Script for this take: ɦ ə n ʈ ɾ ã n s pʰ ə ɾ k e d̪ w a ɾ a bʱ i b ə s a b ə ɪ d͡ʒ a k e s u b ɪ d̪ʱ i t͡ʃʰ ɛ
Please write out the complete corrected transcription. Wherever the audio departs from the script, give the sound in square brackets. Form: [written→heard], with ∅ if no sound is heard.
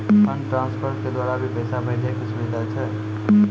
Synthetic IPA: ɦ ə n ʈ ɾ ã n s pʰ ə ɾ k e d̪ w a ɾ a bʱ i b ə s a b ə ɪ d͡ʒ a k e s u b [ɪ→i] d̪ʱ [i→a] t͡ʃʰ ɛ